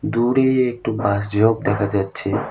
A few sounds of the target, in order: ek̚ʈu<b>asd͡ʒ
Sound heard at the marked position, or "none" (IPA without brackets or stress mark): b